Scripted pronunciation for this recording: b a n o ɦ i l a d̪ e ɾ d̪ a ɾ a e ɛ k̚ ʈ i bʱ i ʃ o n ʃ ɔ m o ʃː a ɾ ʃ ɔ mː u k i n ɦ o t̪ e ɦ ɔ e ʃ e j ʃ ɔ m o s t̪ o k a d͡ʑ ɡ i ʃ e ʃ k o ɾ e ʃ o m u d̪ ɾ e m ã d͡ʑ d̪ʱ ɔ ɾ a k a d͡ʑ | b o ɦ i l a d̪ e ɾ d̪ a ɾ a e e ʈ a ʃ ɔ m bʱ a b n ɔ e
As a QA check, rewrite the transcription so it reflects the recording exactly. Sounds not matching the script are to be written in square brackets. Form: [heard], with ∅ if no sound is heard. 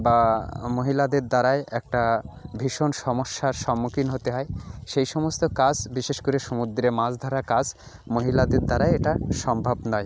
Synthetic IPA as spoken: b a [m] o ɦ i l a d̪ e ɾ d̪ a ɾ a e ɛ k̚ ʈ [a] bʱ i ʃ o n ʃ ɔ m o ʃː a ɾ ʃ ɔ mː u k i n ɦ o t̪ e ɦ ɔ e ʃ e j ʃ ɔ m o s t̪ o k a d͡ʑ [b] i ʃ e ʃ k o ɾ e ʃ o m u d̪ ɾ e m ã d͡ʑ d̪ʱ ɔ ɾ a k a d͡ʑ | [m] o ɦ i l a d̪ e ɾ d̪ a ɾ a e e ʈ a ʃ ɔ m bʱ a b n ɔ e